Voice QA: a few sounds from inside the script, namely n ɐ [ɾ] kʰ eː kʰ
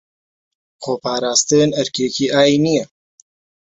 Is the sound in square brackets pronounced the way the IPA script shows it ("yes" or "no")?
yes